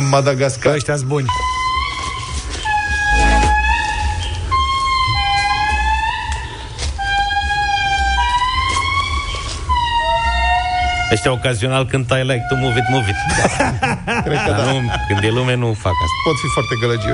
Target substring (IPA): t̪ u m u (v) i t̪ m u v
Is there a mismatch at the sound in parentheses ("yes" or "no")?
no